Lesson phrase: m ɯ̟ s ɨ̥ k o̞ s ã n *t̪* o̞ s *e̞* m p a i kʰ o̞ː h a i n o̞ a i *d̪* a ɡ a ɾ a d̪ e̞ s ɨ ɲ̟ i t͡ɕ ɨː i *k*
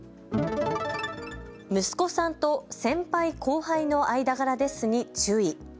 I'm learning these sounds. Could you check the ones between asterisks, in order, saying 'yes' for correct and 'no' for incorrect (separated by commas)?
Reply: yes, no, yes, no